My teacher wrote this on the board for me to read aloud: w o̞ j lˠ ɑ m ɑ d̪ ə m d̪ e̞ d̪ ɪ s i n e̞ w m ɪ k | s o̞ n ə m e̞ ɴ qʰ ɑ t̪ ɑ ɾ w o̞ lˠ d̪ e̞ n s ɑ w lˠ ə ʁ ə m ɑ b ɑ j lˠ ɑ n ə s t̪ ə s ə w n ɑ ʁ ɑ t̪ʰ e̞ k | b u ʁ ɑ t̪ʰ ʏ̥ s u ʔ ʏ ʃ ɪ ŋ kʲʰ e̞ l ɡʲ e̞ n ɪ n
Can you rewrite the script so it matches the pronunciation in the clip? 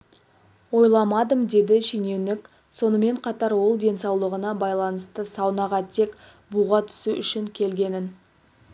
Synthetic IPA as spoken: w o̞ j lˠ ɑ m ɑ d̪ ə m d̪ e̞ d̪ ɪ ʃ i n e̞ w n ɪ k | s o̞ n ə m e̞ ɴ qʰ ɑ t̪ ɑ ɾ w o̞ lˠ d̪ e̞ n s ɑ w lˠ ə ʁ ə n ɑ b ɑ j lˠ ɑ n ə s t̪ ə s ɑ w n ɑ ʁ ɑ t̪ʰ e̞ k | b u ʁ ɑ t̪ʰ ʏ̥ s u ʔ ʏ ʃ ɪ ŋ kʲʰ e̞ l ɡʲ e̞ n ɪ n